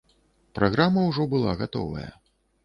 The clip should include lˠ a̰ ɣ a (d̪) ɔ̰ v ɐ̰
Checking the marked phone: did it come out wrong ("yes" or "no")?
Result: yes